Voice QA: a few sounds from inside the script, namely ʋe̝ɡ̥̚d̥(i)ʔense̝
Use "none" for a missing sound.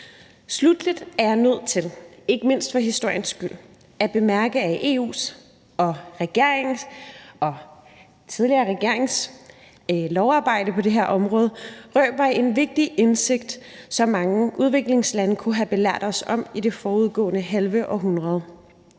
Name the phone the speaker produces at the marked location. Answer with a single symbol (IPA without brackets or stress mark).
i